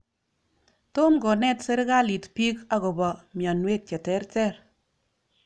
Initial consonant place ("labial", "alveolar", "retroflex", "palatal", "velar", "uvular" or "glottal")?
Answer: alveolar